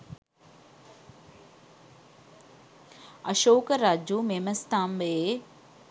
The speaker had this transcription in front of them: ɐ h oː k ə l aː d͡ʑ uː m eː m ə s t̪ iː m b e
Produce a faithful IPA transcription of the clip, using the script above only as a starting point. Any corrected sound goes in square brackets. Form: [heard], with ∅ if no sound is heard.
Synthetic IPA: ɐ [ʃ] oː k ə [ɾ] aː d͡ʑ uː m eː m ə s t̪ [aː] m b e